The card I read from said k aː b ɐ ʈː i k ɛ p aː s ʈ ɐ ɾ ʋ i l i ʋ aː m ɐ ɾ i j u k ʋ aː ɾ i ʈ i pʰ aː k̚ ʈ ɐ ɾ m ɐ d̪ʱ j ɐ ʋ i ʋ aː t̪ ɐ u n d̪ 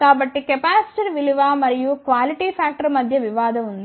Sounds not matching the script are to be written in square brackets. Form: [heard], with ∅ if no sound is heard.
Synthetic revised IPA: k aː b ɐ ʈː i k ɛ p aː s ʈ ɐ ɾ ʋ i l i ʋ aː m ɐ ɾ i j u k ʋ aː [l] i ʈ i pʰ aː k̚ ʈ ɐ ɾ m ɐ d̪ʱ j ɐ ʋ i ʋ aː [d̪] ɐ u n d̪